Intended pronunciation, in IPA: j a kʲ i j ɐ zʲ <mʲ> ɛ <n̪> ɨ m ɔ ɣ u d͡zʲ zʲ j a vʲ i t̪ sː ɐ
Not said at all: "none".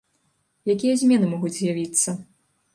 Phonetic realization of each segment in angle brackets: mʲ, n̪

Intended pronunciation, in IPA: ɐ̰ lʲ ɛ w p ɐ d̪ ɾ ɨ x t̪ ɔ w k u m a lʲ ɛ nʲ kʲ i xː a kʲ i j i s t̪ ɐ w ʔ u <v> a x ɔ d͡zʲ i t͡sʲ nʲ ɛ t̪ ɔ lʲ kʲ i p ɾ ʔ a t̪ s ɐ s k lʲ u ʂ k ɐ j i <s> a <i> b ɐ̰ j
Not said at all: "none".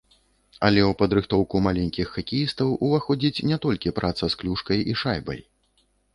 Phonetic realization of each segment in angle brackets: v, ʂ, j

